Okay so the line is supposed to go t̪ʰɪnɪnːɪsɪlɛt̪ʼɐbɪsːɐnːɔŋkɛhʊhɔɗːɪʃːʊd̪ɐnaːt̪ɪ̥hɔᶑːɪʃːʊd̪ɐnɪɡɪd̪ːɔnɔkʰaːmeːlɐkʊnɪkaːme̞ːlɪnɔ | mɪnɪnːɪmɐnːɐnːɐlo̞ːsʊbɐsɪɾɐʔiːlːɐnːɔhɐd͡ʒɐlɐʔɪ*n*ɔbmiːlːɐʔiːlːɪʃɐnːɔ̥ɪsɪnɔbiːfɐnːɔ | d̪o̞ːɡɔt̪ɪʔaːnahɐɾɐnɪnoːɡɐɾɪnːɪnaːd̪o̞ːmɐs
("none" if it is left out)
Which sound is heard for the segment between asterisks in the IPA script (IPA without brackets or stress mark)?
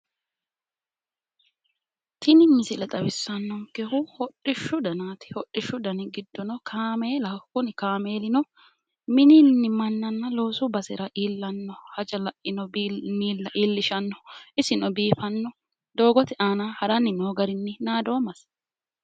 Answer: n